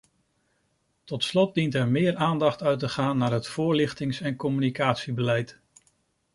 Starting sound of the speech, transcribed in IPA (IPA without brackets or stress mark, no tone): t